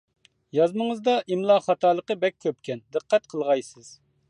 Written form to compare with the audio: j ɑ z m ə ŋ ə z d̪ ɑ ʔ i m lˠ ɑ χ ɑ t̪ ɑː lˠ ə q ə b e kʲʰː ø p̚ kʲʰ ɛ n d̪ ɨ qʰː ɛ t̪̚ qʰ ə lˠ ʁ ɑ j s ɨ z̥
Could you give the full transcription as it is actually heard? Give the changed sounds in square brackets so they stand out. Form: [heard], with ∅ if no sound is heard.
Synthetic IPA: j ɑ z m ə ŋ ə z d̪ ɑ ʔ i m lˠ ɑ χ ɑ t̪ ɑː lˠ ə q ə b [ɛ] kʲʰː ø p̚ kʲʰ ɛ n d̪ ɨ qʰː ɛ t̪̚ qʰ ə lˠ ʁ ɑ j s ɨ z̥